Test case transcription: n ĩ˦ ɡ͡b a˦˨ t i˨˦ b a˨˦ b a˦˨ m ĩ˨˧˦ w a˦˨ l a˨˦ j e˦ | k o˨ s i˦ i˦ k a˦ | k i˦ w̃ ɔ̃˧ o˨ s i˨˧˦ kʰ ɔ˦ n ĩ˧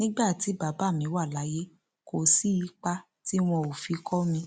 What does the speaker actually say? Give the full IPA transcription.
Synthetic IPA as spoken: n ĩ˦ ɡ͡b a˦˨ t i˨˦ b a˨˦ b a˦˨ m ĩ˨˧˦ w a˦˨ l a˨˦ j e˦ | k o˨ s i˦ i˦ k͡p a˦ | t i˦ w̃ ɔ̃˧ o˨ f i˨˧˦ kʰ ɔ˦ m ĩ˧